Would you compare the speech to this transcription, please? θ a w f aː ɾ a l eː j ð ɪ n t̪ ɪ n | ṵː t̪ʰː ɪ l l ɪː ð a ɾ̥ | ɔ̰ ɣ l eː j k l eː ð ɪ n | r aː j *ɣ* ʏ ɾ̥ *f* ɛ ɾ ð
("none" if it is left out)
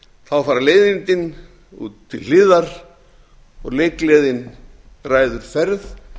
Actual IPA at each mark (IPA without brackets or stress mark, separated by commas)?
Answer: ð, f